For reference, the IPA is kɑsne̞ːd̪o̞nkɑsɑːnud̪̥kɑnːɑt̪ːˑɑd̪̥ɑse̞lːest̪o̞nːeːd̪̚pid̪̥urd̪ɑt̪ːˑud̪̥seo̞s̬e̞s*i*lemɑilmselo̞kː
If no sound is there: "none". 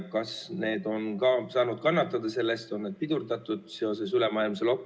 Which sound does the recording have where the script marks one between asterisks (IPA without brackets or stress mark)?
y